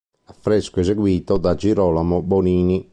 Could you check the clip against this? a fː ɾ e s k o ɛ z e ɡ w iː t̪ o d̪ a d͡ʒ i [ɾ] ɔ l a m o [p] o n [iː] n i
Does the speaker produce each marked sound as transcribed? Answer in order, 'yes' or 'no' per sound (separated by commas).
yes, no, yes